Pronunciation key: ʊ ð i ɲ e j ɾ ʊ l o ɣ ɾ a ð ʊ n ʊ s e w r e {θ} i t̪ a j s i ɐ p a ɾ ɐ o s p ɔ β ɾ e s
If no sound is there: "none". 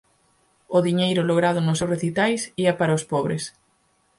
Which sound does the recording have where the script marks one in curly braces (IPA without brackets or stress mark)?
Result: θ